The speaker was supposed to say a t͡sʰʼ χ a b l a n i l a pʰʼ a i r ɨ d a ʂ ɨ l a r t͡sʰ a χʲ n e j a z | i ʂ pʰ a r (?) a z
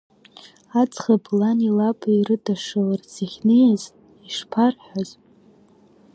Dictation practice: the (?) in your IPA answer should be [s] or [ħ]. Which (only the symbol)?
ħ